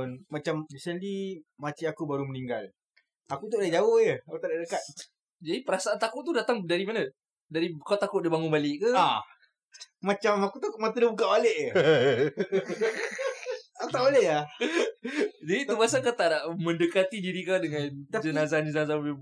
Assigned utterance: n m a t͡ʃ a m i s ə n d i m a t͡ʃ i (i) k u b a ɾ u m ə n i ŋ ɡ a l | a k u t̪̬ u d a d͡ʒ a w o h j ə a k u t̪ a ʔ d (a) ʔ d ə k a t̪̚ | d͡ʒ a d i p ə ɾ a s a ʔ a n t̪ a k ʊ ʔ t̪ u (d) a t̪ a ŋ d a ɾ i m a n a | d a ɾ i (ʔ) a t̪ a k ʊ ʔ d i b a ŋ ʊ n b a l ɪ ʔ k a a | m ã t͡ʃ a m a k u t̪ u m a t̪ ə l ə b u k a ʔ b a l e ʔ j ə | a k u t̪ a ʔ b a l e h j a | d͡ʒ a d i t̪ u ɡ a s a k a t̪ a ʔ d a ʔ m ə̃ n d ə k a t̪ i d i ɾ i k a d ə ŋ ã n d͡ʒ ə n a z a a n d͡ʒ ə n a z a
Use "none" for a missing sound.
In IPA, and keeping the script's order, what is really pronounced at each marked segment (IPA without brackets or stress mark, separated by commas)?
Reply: a, a, d, k